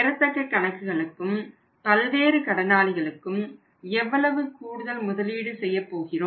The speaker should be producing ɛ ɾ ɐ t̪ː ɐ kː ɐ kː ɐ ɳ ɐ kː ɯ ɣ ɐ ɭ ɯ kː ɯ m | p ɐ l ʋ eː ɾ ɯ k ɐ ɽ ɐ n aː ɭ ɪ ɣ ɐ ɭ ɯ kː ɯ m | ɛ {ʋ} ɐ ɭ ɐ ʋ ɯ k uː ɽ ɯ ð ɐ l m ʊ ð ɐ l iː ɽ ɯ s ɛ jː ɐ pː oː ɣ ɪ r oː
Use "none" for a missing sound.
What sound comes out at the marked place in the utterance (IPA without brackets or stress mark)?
ʋː